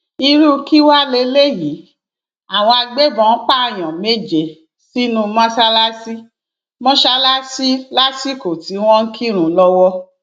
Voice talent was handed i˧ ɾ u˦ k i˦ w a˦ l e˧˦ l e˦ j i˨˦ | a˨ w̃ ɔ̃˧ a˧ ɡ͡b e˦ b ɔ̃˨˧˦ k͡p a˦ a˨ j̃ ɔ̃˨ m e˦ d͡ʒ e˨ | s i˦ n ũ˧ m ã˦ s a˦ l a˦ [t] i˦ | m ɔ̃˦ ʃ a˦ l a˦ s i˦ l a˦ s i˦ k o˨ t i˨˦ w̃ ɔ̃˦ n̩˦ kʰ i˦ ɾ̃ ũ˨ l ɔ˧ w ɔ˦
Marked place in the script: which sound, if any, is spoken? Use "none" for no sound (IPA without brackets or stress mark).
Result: s